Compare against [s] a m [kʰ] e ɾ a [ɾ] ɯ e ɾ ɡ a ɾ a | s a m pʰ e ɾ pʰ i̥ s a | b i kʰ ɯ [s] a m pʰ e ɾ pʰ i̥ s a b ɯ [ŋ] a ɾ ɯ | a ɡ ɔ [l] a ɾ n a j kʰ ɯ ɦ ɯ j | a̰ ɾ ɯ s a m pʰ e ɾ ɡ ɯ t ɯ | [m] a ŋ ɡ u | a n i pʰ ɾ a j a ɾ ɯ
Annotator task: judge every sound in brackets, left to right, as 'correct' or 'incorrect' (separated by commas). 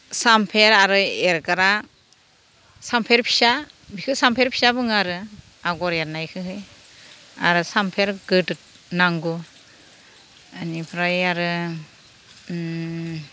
correct, incorrect, correct, correct, correct, incorrect, incorrect